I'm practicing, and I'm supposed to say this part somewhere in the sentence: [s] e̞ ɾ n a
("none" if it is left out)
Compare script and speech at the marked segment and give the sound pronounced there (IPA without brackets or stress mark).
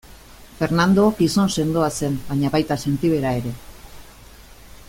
f